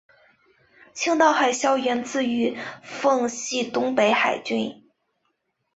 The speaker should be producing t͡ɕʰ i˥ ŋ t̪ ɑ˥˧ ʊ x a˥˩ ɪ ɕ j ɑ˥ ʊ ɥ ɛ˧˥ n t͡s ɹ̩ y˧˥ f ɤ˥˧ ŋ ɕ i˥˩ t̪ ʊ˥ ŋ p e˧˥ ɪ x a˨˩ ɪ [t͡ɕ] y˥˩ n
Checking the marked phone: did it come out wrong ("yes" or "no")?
no